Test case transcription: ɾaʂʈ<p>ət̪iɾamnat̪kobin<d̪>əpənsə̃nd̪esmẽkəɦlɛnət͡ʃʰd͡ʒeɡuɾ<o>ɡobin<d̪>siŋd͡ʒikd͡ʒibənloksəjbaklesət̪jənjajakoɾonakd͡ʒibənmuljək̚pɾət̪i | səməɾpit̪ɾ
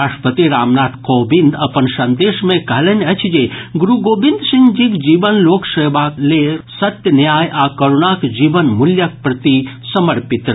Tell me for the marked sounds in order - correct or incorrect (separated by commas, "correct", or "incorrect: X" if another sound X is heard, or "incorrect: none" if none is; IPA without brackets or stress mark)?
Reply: correct, correct, incorrect: u, correct